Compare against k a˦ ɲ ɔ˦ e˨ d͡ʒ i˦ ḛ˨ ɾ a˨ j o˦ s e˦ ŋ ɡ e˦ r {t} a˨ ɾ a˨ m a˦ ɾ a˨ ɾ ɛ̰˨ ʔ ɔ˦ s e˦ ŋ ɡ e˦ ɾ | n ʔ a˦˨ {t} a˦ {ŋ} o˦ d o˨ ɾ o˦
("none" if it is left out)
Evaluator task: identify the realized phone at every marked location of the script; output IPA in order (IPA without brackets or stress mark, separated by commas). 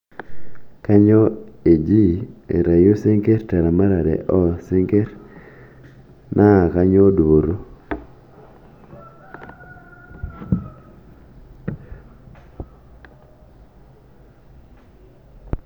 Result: t, k, ɲ